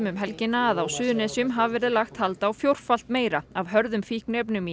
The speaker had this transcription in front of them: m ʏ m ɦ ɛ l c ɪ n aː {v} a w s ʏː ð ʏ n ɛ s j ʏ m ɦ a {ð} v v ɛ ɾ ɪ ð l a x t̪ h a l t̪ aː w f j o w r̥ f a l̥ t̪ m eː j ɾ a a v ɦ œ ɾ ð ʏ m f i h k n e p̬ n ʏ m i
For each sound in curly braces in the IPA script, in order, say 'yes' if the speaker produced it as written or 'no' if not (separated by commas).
no, no